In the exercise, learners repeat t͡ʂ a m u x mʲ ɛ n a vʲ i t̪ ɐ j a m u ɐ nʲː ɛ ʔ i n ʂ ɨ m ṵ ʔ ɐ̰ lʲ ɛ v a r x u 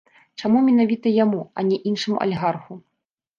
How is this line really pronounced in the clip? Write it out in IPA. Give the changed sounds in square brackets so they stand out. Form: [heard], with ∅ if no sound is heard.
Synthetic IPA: t͡ʂ a m u [∅] mʲ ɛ n a vʲ i t̪ ɐ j a m u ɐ [nʲ] ɛ ʔ i n ʂ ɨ m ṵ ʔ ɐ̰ lʲ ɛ [ɣ] a r x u